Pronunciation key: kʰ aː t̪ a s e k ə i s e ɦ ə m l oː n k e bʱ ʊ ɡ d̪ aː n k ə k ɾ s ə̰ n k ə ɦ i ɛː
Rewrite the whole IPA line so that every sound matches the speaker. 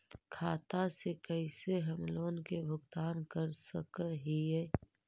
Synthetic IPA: kʰ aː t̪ a s e k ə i s e ɦ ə m l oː n k e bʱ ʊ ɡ t̪ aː n k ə ɾ s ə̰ k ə ɦ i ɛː